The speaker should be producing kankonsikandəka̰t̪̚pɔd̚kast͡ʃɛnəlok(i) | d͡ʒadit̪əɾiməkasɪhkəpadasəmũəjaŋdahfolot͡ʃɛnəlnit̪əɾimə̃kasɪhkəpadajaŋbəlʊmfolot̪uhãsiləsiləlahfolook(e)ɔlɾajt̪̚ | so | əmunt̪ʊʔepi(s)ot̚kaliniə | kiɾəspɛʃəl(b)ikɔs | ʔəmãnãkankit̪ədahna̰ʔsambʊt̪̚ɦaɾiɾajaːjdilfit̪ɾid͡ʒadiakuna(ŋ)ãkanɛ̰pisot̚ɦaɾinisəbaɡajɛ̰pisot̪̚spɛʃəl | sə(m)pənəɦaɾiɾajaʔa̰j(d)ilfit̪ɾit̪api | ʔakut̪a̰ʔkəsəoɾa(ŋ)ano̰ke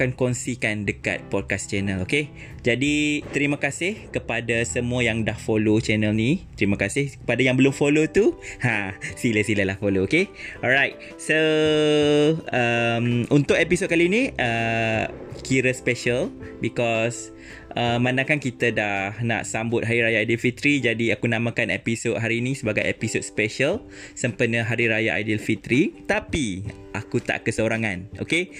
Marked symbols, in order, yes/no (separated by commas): no, yes, yes, yes, no, yes, yes, yes